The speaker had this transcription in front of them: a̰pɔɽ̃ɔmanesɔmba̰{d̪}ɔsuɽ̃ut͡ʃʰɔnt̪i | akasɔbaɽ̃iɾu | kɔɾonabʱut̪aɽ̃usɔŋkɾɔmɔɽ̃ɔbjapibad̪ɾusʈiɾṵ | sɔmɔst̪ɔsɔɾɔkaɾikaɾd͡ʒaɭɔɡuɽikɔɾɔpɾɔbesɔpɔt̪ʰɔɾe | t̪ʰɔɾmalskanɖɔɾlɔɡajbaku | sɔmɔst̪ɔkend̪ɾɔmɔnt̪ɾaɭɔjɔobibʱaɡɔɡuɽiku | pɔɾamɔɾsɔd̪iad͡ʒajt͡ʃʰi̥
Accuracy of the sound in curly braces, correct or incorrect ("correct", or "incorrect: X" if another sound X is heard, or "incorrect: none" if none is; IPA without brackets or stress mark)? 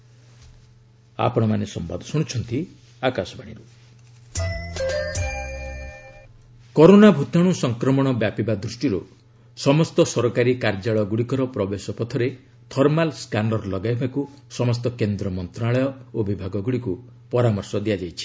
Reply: correct